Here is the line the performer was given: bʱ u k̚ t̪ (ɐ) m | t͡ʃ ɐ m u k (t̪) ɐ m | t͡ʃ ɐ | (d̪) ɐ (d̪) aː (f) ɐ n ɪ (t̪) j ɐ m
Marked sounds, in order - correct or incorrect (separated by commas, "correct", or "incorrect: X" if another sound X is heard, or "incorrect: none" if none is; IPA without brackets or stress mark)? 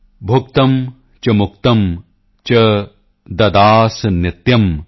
correct, correct, correct, correct, incorrect: s, correct